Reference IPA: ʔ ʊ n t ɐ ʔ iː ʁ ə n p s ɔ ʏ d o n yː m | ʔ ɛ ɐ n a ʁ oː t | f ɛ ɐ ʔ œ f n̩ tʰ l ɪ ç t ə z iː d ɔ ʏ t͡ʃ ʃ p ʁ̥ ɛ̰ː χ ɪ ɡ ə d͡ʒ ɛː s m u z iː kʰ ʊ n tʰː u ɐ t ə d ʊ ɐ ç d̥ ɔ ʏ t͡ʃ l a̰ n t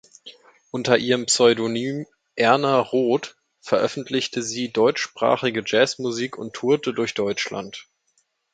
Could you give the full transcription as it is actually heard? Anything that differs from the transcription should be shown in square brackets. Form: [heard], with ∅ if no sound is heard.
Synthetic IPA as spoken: ʔ ʊ n t ɐ ʔ iː ʁ ə [m] p s ɔ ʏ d o n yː m | ʔ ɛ ɐ n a ʁ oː t | f ɛ ɐ ʔ œ f n̩ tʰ l ɪ ç t ə z iː d ɔ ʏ t͡ʃ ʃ p ʁ̥ [a̰ː] χ ɪ ɡ ə d͡ʒ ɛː s m u z iː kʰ ʊ n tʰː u ɐ t ə d ʊ ɐ ç d̥ ɔ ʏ t͡ʃ l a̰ n t